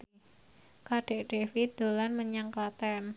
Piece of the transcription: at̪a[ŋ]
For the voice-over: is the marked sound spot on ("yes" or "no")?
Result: no